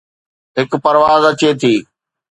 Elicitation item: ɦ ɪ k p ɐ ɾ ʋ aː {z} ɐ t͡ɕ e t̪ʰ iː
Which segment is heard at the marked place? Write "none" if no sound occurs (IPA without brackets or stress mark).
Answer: z